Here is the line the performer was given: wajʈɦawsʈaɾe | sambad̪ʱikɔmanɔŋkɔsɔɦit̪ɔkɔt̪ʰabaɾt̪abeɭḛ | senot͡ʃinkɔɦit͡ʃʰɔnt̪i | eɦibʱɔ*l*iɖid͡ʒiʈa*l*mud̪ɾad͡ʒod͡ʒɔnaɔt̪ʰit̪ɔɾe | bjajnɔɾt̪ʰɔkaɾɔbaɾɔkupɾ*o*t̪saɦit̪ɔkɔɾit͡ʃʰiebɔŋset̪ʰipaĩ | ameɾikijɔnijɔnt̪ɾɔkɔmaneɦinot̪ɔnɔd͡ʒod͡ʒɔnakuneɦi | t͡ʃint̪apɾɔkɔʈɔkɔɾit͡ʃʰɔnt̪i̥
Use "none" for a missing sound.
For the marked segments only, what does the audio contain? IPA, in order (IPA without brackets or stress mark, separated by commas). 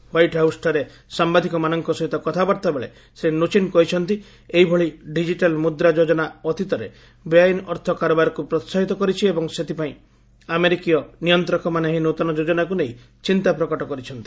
ɭ, l, ɔ